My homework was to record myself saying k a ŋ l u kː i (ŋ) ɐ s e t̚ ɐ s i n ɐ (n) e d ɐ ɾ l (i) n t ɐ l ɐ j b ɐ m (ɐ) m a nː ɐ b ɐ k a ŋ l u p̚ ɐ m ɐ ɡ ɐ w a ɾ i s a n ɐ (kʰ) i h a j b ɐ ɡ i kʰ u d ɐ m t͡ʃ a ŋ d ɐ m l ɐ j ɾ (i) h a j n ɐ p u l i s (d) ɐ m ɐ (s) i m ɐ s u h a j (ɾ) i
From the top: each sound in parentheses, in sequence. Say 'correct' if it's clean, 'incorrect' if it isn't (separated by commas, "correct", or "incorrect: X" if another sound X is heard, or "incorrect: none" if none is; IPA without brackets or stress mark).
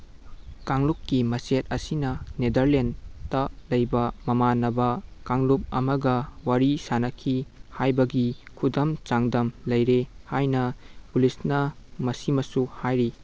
incorrect: m, correct, incorrect: e, correct, correct, incorrect: e, incorrect: n, correct, correct